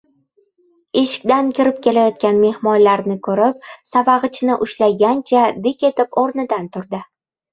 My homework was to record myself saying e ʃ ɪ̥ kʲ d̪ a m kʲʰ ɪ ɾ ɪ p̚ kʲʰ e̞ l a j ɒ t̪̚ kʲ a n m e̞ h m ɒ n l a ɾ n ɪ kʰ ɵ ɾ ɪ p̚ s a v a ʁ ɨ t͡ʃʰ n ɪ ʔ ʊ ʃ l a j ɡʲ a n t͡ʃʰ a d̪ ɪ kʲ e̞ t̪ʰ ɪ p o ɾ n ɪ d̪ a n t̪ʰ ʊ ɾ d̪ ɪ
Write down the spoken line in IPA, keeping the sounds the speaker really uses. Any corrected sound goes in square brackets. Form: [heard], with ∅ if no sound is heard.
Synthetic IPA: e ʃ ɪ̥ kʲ d̪ a [n] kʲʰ ɪ ɾ ɪ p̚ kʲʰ e̞ l a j ɒ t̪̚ kʲ a n m e̞ h m ɒ n l a ɾ n ɪ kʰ ɵ ɾ ɪ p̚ s a v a ʁ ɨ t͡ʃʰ n ɪ ʔ ʊ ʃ l a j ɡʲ a n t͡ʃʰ a d̪ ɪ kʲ e̞ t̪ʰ ɪ p o ɾ n ɪ d̪ a n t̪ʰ ʊ ɾ d̪ ɪ